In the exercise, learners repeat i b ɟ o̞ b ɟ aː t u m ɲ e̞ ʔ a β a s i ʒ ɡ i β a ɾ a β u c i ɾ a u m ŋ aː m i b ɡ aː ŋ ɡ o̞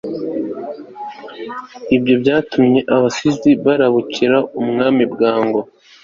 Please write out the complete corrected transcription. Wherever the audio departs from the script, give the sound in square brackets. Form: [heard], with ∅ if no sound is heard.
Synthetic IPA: i b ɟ o̞ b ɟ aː t u m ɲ e̞ ʔ a β a s i [z] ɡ i β a ɾ a β u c i ɾ a u m ŋ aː m i b ɡ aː ŋ ɡ o̞